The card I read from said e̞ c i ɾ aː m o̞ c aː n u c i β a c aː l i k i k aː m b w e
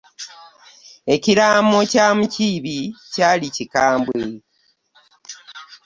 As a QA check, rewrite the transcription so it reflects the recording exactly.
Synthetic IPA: e̞ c i ɾ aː m o̞ c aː m u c i β i c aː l i c i k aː m b w e